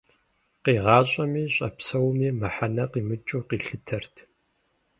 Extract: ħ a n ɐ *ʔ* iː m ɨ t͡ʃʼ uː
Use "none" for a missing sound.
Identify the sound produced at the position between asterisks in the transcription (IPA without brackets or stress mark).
q